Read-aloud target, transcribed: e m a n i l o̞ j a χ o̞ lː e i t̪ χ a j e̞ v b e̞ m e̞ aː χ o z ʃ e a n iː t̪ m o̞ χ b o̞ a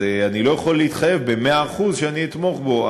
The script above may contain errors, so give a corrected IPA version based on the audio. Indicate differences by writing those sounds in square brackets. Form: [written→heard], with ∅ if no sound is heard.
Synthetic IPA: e [m→∅] a n i l o̞ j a χ o̞ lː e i t̪ χ a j e̞ v b e̞ m e̞ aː χ [o→u] z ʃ e a n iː t̪ m o̞ χ b o̞ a